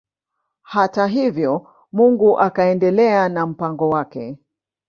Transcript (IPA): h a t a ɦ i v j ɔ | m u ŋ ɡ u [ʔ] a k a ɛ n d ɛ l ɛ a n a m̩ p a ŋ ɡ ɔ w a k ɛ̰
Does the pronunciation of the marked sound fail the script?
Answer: no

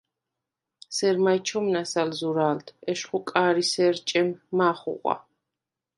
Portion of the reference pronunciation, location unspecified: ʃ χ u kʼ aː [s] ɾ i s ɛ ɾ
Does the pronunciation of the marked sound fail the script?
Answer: yes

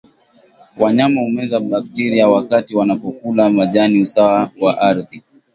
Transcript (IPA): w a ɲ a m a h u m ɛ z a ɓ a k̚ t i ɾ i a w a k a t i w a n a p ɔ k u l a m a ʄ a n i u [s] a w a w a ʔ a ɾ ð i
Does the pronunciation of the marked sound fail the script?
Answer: no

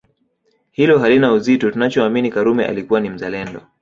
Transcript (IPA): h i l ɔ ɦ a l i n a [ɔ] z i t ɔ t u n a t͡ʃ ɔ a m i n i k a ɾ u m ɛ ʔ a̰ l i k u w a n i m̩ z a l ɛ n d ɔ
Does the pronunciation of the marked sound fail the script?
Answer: yes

